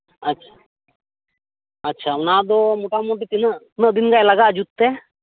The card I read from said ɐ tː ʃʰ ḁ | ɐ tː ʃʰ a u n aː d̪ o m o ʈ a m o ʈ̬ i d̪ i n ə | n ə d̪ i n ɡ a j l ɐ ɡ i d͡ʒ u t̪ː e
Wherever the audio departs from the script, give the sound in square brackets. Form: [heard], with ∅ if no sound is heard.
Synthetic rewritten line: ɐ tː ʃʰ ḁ | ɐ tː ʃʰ a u n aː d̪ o m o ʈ a m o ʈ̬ i [t̪] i n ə | n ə d̪ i n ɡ a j l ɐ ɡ [a] d͡ʒ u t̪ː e